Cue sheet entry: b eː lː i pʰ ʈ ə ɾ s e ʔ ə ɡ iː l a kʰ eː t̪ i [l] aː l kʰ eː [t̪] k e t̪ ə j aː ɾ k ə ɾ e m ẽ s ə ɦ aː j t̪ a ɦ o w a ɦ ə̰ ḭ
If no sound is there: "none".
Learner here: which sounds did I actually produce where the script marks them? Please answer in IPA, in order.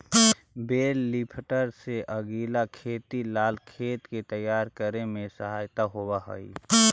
l, t̪

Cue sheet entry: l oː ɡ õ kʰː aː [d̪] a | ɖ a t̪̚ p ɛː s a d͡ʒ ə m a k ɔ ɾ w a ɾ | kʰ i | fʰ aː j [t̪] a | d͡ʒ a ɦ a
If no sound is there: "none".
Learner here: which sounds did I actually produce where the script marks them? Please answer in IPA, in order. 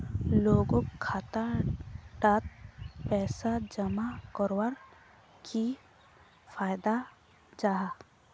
t̪, d̪

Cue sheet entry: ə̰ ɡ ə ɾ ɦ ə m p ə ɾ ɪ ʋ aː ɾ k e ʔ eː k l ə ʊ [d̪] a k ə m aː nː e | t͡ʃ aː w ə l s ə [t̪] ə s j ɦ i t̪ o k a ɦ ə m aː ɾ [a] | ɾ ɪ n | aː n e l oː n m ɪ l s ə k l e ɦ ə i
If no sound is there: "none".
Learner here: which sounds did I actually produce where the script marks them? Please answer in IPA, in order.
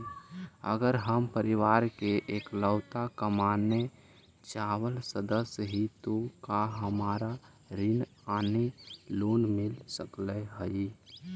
t̪, d̪, a

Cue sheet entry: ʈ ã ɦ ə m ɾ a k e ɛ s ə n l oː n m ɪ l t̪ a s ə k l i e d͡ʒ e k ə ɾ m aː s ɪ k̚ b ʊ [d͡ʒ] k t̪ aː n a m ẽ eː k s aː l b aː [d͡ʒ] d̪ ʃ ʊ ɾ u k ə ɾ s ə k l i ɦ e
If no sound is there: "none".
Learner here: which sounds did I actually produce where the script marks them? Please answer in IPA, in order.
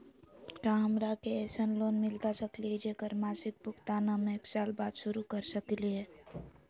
none, none

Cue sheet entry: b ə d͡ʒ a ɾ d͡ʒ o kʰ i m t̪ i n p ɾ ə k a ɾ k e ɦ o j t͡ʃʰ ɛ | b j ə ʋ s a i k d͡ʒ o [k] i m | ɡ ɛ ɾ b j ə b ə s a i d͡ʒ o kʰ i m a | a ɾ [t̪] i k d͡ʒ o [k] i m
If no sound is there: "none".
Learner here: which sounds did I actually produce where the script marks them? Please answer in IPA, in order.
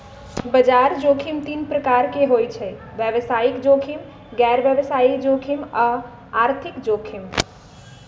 kʰ, t̪ʰ, kʰ

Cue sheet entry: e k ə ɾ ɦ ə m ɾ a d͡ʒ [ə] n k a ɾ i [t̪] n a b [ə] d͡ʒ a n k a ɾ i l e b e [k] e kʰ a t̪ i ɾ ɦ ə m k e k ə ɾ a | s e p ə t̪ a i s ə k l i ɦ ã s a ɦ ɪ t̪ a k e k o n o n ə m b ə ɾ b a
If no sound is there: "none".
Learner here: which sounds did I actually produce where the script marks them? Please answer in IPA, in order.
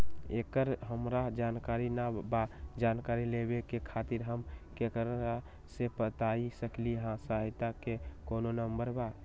a, none, a, k

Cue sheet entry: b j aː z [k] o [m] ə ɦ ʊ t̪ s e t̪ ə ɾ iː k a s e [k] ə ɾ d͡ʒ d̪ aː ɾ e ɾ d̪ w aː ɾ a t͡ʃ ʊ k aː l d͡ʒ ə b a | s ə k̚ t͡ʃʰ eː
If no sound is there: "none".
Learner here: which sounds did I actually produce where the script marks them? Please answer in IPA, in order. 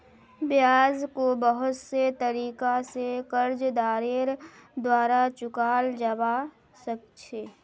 k, b, k

